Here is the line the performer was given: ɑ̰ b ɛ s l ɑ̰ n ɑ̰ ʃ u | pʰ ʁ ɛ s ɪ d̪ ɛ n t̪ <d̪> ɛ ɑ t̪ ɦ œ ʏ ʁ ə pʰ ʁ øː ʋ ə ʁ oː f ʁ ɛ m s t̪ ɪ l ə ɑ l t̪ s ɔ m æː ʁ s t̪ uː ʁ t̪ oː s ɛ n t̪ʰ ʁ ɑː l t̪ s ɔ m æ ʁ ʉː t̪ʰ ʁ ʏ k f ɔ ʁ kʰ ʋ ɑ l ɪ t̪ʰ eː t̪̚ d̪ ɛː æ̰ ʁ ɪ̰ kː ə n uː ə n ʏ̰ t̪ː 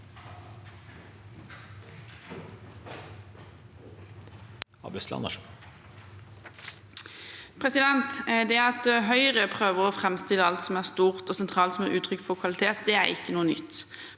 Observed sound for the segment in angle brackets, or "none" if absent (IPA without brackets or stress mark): d̪